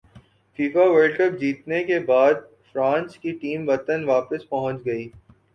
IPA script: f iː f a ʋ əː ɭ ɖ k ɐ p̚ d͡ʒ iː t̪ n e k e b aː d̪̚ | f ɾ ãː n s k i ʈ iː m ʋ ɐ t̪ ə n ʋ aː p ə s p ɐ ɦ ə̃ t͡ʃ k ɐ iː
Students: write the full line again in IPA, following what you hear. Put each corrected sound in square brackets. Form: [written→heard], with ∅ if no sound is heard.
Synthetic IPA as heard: f iː f a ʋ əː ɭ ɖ k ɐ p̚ d͡ʒ iː t̪ n e k e b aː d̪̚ | f ɾ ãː n s k i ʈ iː m ʋ ɐ t̪ ə n ʋ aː p ə s p ɐ ɦ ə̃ t͡ʃ [k→ɡ] ɐ iː